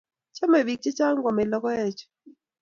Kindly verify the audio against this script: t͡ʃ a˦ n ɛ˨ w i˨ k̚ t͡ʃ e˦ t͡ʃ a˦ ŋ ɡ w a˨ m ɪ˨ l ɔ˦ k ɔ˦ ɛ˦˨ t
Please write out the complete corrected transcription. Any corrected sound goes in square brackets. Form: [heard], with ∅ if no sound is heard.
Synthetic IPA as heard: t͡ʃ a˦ [m] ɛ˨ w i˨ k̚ t͡ʃ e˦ t͡ʃ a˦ ŋ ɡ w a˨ m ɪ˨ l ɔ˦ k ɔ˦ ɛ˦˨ [t͡ʃ]